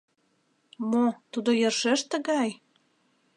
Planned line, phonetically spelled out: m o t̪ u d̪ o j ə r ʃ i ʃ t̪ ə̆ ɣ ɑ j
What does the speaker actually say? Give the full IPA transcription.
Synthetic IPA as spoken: m o t̪ u d̪ o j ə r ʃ e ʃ t̪ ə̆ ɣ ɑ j